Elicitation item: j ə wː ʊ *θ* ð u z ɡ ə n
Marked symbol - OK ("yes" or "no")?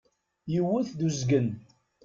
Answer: yes